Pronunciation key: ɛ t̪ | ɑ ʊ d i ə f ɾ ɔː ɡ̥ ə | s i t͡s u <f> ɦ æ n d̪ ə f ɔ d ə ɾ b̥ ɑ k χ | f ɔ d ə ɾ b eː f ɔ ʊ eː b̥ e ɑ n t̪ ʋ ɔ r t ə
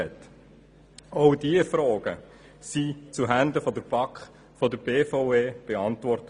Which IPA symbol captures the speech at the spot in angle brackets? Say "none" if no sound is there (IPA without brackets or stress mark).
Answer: none